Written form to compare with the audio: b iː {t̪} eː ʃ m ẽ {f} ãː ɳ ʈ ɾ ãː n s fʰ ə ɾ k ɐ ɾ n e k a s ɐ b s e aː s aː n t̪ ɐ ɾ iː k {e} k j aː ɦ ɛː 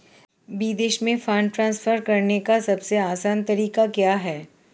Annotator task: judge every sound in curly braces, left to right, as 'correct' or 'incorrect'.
incorrect: d̪, correct, incorrect: a

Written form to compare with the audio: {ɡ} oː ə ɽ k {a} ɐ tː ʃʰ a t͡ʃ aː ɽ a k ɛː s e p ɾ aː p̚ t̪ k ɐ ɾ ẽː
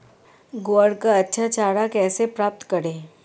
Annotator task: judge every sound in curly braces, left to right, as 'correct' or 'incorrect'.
correct, correct

